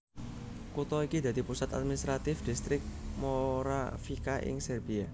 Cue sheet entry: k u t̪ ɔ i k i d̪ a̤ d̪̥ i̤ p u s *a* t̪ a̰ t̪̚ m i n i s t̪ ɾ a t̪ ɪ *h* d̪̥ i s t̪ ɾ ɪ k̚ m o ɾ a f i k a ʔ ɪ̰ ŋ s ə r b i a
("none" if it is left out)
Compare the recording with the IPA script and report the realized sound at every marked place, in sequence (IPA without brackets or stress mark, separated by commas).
a, f